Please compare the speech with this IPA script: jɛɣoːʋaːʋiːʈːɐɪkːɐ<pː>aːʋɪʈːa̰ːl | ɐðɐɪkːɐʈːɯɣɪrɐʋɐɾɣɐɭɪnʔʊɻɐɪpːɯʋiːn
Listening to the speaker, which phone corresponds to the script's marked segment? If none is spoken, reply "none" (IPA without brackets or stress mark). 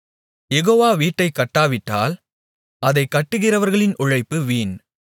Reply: ʈː